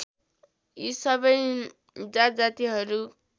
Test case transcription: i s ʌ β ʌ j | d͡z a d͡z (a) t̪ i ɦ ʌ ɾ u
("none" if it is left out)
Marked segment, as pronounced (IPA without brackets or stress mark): a